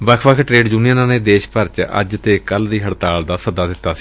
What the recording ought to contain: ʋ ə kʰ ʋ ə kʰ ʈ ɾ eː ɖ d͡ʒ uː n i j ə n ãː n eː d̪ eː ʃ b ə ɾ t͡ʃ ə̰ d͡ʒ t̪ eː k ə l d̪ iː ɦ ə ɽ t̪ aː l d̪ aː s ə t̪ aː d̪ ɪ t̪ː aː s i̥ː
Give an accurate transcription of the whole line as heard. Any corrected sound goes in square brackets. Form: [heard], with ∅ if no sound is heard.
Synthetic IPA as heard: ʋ ə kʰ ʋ ə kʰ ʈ ɾ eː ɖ d͡ʒ uː n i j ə n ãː n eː d̪ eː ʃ [p] ə ɾ t͡ʃ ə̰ d͡ʒ t̪ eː k ə l d̪ iː ɦ ə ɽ t̪ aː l d̪ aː s ə [d̪] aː d̪ ɪ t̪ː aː s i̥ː